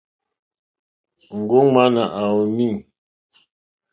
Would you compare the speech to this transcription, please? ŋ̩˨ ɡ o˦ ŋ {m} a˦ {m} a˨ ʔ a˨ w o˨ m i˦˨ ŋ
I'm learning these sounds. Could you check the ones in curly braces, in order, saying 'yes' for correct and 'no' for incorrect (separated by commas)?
yes, no